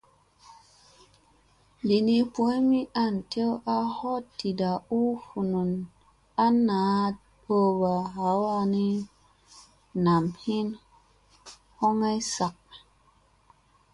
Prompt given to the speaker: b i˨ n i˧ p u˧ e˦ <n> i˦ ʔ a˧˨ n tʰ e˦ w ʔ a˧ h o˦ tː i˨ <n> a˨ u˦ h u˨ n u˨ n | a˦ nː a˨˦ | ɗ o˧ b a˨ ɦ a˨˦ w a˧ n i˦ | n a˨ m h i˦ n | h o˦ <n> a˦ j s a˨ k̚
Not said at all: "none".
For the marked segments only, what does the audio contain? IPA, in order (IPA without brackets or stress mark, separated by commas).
m, d, ŋ